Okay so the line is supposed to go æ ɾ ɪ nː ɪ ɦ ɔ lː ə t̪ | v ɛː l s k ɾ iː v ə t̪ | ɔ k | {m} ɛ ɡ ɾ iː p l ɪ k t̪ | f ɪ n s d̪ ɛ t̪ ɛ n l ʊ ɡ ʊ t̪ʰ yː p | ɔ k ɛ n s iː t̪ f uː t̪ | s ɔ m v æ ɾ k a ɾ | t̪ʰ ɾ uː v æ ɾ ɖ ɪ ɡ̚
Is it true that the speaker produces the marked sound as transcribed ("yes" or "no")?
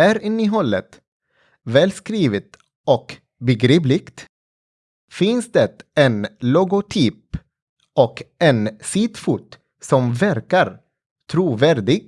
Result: no